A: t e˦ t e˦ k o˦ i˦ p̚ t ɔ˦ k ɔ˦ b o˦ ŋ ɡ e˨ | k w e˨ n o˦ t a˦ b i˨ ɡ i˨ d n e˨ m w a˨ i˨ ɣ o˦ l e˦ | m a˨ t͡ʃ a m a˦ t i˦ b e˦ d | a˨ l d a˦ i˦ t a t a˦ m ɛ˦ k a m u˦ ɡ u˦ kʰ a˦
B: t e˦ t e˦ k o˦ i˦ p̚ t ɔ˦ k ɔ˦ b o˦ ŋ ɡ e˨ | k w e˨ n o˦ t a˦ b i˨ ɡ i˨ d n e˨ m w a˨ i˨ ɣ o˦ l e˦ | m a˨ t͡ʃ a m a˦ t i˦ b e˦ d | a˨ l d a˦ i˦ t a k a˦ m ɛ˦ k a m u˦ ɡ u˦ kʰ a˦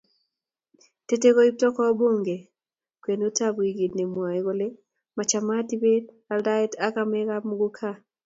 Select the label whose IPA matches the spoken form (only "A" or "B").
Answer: B